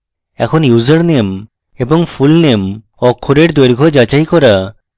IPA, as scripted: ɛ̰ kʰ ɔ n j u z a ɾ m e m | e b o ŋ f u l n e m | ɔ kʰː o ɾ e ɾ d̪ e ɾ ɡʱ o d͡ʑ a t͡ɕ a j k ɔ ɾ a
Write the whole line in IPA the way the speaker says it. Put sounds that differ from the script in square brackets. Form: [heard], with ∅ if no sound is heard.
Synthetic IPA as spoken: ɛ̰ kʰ [o] n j u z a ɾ [n] e m | e b o ŋ f u l n e m | ɔ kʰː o ɾ e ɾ d̪ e ɾ ɡʱ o d͡ʑ a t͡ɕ a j k ɔ ɾ a